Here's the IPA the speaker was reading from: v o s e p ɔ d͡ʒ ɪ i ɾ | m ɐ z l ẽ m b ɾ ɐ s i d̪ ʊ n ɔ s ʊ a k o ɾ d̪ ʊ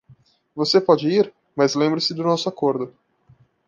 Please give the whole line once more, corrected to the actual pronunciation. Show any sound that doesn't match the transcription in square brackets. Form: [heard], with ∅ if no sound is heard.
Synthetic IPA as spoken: v o s e p ɔ d͡ʒ ɪ i ɾ | m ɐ z l ẽ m b ɾ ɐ s [ɪ] d̪ ʊ n ɔ s ʊ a k o ɾ d̪ ʊ